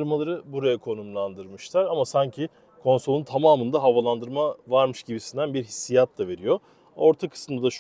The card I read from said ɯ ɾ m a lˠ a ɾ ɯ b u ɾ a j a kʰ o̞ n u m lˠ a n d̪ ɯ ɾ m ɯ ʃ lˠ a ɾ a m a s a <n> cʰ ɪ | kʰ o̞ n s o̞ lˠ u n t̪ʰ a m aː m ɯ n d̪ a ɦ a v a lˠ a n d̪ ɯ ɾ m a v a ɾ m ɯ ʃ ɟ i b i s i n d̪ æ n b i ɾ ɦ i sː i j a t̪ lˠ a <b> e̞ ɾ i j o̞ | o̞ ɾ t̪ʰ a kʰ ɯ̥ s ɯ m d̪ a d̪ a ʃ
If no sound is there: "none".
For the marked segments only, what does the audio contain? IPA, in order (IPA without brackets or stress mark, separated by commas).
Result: ɲ, v